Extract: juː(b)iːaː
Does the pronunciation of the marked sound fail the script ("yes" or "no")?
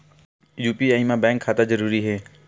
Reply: yes